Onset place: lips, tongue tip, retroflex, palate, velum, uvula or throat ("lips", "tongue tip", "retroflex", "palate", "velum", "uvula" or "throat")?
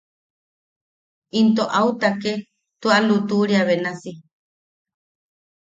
tongue tip